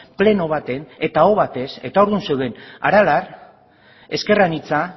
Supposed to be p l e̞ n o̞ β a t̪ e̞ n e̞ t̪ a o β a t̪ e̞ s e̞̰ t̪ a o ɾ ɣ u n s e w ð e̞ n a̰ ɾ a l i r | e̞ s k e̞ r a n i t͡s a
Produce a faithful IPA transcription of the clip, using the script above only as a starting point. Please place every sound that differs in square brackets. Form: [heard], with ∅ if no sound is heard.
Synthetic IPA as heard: p l e̞ n o̞ β a t̪ e̞ n e̞ t̪ a o β a t̪ e̞ s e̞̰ t̪ a o ɾ [ð] u n s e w ð e̞ n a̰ ɾ a l [a] r | e̞ s k e̞ r a n i t͡s a